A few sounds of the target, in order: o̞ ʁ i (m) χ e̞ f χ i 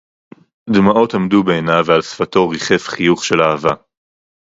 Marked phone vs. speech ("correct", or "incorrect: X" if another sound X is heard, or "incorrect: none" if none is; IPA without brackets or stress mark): incorrect: none